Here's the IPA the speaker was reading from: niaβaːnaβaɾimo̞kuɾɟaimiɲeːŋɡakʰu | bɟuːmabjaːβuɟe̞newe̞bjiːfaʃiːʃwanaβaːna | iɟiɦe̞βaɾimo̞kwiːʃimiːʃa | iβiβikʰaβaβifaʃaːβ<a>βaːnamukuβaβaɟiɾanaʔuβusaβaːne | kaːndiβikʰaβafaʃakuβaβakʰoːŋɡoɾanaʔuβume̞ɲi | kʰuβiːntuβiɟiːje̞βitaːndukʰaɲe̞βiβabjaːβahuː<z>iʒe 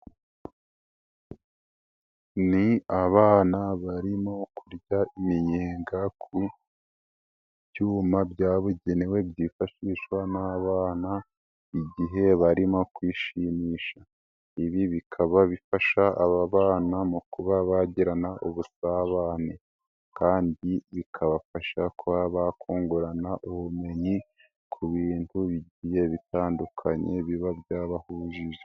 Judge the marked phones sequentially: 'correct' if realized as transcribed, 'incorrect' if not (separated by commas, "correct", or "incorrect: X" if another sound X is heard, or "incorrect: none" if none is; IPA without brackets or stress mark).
correct, incorrect: ʒ